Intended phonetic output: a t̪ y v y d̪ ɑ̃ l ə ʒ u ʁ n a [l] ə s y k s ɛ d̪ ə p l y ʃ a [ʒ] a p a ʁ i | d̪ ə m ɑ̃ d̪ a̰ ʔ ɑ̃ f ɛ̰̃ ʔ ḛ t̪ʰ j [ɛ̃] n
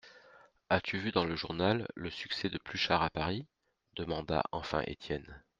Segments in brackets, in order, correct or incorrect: incorrect: lː, incorrect: ʁ, incorrect: ɛ

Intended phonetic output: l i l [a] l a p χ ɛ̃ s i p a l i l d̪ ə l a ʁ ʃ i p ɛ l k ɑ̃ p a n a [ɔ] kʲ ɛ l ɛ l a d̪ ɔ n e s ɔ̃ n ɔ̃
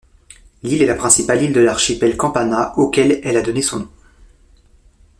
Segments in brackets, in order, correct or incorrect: incorrect: ɛ, incorrect: o

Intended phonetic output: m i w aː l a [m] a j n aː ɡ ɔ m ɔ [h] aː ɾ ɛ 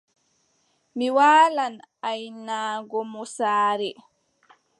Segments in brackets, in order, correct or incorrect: incorrect: n, incorrect: s

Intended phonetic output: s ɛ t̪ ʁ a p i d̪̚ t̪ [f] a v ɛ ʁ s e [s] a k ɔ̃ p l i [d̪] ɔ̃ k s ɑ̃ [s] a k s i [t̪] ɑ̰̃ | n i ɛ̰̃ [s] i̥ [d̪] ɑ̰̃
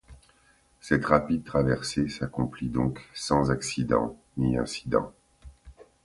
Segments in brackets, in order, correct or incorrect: incorrect: χ, correct, correct, incorrect: z, incorrect: d̪, correct, correct

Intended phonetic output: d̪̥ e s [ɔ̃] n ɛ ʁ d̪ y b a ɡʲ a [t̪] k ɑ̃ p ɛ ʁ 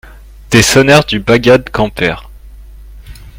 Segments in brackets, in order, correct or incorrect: incorrect: ɔ, incorrect: d̪

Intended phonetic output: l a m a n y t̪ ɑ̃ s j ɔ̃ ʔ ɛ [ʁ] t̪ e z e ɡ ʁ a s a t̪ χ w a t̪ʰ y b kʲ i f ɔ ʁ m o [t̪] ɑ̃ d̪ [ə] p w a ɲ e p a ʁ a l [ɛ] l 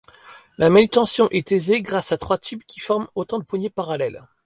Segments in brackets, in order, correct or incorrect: incorrect: none, correct, correct, correct

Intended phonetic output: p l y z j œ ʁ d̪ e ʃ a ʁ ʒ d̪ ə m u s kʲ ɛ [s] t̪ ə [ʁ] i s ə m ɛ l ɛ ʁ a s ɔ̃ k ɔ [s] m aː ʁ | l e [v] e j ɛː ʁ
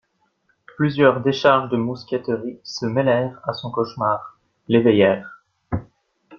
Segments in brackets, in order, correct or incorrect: incorrect: none, correct, incorrect: ʃ, correct

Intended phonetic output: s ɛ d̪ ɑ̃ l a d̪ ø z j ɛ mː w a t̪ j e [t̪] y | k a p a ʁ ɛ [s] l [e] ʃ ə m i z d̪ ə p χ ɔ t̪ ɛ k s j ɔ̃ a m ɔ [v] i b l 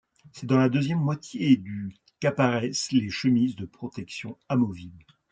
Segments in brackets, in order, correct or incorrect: incorrect: d̪, correct, correct, correct

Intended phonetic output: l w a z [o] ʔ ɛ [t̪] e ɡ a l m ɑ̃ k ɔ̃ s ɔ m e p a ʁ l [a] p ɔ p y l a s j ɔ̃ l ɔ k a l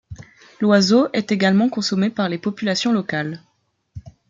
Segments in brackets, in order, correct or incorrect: correct, correct, incorrect: e

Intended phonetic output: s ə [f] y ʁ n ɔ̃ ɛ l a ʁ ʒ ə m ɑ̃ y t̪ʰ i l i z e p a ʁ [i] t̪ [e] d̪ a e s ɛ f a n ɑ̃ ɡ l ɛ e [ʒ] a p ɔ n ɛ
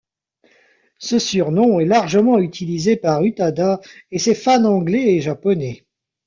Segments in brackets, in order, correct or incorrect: incorrect: s, incorrect: y, incorrect: a, correct

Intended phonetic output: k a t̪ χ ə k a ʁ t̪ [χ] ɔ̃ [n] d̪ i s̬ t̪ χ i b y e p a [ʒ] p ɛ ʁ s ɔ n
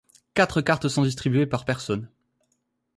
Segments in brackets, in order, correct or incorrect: incorrect: s, incorrect: none, incorrect: ʁ

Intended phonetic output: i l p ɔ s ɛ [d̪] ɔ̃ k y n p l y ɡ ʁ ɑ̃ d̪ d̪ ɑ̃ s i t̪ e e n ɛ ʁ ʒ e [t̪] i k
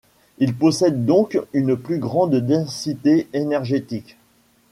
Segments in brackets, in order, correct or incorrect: incorrect: d̪ː, correct

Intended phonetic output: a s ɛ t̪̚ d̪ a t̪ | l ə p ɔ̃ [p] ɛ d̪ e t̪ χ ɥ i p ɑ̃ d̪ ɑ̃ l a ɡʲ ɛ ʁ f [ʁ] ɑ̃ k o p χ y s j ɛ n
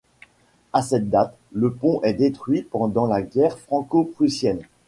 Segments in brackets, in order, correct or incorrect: incorrect: ʔ, incorrect: χ

